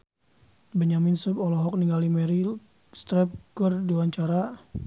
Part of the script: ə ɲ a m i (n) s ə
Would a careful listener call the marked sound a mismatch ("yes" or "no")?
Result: no